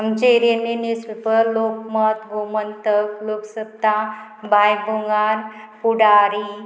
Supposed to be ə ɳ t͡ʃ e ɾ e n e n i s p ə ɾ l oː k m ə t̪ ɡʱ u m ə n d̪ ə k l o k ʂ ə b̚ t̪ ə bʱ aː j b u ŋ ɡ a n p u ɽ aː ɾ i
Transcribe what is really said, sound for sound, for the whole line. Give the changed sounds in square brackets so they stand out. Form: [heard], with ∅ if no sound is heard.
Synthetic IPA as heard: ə [m] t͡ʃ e ɾ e n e n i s p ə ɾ l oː k m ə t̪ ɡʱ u m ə n [t̪] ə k l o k [s] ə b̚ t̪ [a] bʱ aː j b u ŋ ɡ a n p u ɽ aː ɾ i